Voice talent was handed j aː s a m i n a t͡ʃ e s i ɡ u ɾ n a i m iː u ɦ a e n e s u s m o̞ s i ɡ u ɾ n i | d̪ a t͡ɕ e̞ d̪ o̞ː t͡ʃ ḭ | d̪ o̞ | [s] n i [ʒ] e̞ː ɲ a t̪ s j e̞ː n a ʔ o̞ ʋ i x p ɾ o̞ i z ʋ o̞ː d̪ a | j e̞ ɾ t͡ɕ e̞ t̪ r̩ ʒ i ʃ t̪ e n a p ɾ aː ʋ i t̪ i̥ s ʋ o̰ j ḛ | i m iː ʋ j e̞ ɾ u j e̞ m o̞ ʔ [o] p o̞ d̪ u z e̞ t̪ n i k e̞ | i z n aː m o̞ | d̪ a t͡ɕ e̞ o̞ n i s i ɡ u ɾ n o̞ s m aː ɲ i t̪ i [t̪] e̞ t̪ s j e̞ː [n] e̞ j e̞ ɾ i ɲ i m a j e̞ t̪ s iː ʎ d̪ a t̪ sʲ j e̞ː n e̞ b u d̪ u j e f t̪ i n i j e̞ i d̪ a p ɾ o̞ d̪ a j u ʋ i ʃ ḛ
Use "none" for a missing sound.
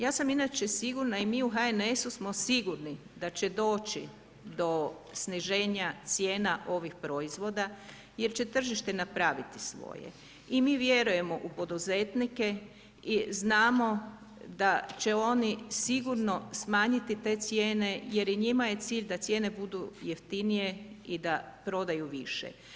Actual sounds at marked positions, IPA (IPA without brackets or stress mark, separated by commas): s, ʒ, u, t̪, n